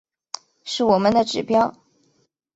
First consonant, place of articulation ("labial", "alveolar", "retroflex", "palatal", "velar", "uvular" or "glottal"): retroflex